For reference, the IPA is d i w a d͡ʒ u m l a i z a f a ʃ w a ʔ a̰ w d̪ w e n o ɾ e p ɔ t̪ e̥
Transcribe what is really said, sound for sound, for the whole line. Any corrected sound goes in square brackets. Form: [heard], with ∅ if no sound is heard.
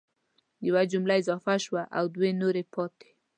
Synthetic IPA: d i w a d͡ʒ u m l a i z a f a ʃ w a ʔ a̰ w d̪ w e n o ɾ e p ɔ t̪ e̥